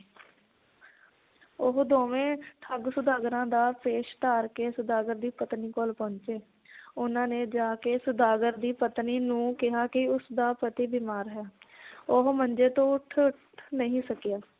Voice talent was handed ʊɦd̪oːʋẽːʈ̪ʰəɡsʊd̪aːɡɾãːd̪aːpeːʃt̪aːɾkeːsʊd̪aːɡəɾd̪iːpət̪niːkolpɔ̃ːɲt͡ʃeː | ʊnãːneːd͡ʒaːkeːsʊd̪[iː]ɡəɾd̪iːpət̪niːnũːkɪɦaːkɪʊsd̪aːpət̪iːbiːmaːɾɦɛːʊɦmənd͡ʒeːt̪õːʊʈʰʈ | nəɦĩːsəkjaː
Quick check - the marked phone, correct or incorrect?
incorrect